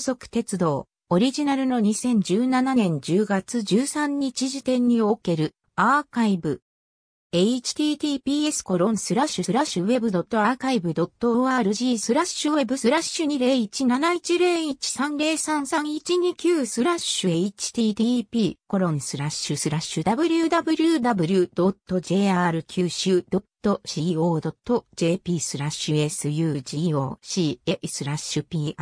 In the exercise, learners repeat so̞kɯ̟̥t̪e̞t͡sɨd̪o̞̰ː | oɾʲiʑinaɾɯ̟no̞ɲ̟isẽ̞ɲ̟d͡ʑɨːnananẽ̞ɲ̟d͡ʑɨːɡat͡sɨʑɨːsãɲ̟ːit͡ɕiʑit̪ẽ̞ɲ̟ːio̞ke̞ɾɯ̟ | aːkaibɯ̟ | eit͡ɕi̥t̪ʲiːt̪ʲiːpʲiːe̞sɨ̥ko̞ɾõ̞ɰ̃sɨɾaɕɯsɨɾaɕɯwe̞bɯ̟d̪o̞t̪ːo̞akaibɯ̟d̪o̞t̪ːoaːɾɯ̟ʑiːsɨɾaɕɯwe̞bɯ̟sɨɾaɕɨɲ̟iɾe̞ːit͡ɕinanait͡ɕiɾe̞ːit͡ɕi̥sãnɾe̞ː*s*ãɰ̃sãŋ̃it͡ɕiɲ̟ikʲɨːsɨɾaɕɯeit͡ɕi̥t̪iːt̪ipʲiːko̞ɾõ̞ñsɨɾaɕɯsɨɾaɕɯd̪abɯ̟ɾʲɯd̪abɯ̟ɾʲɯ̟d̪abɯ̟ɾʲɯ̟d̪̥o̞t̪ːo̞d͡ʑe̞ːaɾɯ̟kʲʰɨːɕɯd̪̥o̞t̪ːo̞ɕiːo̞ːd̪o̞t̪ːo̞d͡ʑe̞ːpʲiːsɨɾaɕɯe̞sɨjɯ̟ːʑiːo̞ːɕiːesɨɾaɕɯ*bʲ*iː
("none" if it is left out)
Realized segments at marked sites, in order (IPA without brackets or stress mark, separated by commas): s, pʲ